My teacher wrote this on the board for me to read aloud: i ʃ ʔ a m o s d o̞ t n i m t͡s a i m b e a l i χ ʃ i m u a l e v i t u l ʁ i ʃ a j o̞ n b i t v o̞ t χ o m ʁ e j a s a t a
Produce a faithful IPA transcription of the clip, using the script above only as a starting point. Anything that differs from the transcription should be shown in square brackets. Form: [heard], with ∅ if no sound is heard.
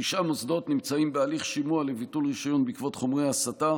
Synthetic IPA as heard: i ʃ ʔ a m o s d o̞ t n i m t͡s a i m b e a l i χ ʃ i m u a l e v i t u l ʁ i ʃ a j o̞ n b i [k] v o̞ t χ o m ʁ e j a s a t a